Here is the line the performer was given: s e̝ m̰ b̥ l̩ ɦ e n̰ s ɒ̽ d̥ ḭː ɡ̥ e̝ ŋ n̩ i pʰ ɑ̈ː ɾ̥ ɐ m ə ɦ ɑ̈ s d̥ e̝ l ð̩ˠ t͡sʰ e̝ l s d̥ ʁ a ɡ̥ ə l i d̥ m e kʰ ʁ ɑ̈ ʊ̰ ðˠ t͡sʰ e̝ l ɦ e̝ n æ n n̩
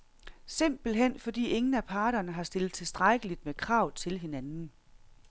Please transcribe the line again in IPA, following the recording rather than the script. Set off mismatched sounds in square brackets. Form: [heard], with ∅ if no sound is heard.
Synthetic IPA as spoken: s e̝ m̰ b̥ l̩ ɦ e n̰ [f] ɒ̽ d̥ ḭː [∅] e̝ ŋ n̩ [æ] pʰ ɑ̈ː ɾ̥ ɐ [n] ə ɦ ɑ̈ s d̥ e̝ l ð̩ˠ t͡sʰ e̝ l s d̥ ʁ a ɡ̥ ə l i d̥ m e kʰ ʁ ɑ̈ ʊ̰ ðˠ t͡sʰ e̝ l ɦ e̝ n æ n n̩